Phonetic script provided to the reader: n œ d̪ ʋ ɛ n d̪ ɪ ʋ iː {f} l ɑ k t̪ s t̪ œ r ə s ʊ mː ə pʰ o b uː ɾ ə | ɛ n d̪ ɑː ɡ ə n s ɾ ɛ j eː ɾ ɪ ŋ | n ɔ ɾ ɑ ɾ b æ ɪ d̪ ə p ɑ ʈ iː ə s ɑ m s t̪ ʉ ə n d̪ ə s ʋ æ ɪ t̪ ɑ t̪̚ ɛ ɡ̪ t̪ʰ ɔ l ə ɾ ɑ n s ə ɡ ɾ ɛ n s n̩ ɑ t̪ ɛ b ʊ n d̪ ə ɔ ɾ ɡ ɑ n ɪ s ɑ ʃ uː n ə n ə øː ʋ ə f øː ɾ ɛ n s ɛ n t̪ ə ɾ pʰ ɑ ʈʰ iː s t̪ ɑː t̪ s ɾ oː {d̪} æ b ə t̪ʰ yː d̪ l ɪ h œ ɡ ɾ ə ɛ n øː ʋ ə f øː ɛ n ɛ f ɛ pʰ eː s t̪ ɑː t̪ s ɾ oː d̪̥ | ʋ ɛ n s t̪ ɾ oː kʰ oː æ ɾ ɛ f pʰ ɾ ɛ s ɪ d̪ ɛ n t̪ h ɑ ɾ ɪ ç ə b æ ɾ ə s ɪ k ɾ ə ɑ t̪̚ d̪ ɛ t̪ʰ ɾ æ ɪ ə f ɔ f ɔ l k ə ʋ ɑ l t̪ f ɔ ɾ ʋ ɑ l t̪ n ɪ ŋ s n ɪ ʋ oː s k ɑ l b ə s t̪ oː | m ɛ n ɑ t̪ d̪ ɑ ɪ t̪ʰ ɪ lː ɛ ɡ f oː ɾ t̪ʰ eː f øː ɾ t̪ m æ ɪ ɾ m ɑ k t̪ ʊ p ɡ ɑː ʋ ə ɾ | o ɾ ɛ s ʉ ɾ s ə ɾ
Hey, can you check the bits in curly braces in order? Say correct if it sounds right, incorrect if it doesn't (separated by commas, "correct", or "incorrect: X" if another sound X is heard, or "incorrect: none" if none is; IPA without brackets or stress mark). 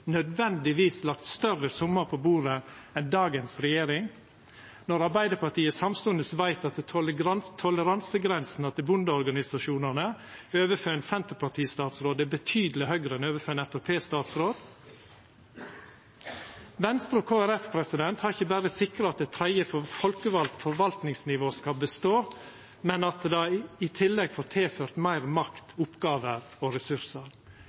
incorrect: s, correct